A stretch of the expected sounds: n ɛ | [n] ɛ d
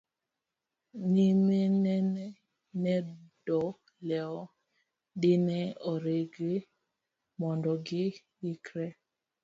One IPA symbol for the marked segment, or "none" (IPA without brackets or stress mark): n